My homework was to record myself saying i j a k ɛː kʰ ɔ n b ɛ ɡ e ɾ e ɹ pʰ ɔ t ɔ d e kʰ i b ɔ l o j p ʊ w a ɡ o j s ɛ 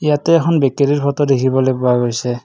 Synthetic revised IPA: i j a t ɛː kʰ ɔ n b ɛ k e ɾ i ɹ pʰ ɔ t ɔ d e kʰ i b ɔ l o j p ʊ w a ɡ o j s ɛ